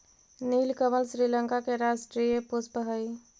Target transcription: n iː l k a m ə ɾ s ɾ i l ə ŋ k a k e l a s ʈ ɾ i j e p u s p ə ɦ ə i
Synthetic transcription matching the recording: n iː l k ə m ə l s ɾ i l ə ŋ k a k e ɾ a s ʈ ɾ i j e p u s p ə ɦ ə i